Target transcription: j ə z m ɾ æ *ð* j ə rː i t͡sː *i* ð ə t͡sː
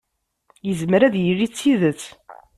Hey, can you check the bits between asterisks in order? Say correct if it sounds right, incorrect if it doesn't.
correct, correct

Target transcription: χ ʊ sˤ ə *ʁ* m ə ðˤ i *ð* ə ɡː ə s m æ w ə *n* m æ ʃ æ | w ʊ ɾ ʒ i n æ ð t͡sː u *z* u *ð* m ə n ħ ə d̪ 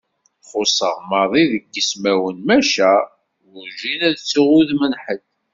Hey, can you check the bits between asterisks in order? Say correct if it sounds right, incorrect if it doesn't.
correct, correct, correct, incorrect, correct

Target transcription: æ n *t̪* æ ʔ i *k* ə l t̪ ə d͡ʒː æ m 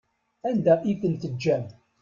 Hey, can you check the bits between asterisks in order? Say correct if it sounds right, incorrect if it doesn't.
incorrect, correct

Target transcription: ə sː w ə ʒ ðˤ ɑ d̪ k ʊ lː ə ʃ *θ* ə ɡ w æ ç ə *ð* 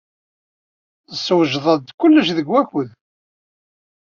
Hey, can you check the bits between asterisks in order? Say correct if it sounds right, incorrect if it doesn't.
incorrect, correct

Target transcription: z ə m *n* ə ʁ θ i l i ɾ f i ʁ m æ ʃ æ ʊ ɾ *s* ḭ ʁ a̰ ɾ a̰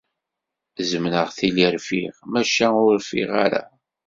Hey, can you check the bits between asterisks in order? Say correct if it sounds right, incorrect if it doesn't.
correct, incorrect

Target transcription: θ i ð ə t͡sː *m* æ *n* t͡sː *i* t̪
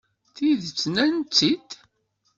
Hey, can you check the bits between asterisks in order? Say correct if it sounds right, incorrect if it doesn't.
incorrect, correct, correct

